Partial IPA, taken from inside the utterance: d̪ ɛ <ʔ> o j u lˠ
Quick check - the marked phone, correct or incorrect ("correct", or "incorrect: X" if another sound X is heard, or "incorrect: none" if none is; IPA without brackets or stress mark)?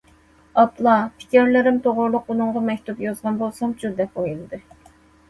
incorrect: p